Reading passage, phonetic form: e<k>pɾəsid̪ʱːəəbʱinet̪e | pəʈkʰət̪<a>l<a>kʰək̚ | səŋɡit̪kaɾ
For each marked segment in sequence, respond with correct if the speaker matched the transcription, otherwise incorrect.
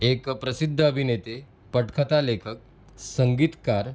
correct, correct, incorrect: e

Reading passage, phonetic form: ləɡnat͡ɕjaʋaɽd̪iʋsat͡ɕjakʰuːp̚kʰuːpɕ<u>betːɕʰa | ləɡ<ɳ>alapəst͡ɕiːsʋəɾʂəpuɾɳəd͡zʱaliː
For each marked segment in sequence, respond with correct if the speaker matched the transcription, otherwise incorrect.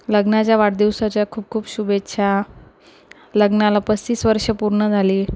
correct, incorrect: n

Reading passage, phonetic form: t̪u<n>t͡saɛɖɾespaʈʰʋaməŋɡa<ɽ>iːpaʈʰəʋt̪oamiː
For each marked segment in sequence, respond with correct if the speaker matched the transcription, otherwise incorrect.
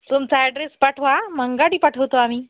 incorrect: m, correct

